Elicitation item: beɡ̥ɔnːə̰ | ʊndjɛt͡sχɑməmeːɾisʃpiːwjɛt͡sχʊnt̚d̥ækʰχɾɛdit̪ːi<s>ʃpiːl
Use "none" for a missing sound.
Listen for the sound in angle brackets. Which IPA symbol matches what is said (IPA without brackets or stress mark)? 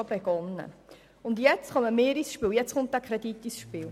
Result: s